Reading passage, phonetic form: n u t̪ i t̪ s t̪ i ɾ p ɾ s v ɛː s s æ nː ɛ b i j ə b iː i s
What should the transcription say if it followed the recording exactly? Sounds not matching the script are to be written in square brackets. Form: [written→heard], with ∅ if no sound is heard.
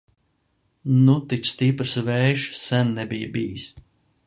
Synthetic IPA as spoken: n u t̪ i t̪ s t̪ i [ɾ→∅] p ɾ s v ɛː [s→ʃ] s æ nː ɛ b i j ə b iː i s

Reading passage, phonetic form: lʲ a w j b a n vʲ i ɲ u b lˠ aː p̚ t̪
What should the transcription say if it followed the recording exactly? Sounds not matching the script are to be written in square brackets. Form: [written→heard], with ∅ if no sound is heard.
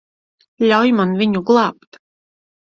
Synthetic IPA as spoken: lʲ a w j [b→m] a n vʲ i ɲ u [b→ɡ] lˠ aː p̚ t̪

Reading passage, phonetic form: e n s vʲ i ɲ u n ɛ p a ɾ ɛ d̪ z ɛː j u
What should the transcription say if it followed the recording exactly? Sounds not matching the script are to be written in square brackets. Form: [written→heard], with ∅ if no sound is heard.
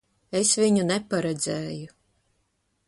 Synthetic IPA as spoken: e [n→∅] s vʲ i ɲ u n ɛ p a ɾ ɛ d̪ z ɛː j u

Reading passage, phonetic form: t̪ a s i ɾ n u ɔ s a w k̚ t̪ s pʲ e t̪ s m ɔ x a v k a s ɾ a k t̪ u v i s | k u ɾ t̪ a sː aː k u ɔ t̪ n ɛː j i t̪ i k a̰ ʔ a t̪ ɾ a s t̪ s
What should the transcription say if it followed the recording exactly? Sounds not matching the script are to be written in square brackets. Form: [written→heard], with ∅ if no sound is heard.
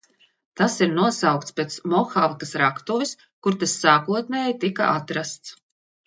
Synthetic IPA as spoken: t̪ a s i ɾ n u ɔ s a w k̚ t̪ s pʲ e t̪ s m ɔ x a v k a s ɾ a k t̪ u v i s | k u ɾ t̪ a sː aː k u ɔ t̪ n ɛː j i t̪ i k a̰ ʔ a t̪ ɾ a s t̪ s

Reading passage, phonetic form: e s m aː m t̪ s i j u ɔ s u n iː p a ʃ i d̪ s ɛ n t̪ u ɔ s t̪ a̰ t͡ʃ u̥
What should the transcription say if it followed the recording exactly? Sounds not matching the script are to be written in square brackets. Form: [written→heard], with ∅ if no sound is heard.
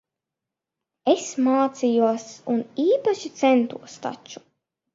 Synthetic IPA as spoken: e s m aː [m→∅] t̪ s i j u ɔ s u n iː p a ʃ i [d̪→t̪] s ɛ n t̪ u ɔ s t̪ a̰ t͡ʃ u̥

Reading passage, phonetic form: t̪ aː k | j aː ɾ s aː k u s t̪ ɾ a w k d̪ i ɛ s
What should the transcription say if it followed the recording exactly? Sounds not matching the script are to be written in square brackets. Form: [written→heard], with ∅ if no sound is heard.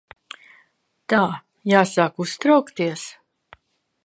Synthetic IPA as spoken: t̪ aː [k→∅] | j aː [ɾ→∅] s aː k u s t̪ ɾ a w k [d̪→t̪] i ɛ s

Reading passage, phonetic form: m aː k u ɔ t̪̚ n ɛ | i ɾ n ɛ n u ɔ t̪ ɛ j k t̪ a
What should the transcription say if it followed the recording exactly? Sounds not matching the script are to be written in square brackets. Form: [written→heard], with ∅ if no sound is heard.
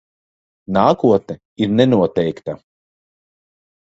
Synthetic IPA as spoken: [m→n] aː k u ɔ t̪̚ n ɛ | i ɾ n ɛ n u ɔ t̪ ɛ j k t̪ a

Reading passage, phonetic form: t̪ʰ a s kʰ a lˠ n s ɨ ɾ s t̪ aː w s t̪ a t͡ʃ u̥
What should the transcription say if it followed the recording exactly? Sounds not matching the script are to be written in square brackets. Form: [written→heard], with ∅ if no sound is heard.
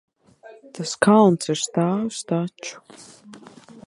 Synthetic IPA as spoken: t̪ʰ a s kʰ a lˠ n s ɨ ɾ s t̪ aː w s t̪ a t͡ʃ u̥

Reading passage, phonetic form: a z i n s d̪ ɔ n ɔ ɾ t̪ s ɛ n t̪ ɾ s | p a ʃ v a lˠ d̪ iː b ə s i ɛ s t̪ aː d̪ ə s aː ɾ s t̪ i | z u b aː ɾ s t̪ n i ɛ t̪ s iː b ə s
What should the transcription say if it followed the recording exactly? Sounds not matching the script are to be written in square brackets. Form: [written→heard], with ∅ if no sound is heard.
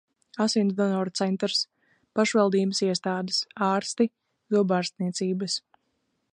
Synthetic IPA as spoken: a [z→s] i n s d̪ ɔ n ɔ ɾ t̪ s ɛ n t̪ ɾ s | p a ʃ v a lˠ d̪ iː b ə s i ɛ s t̪ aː d̪ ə s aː ɾ s t̪ i | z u b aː ɾ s t̪ n i ɛ t̪ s iː b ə s

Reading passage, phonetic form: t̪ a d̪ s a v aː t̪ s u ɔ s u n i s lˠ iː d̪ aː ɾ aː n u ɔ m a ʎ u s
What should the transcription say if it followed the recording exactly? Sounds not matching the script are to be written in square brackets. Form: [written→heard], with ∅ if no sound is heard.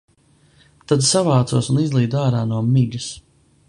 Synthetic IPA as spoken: t̪ a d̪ s a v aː t̪ s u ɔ s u n i [s→z] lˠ iː d̪ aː ɾ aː n u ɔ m [a→i] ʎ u s

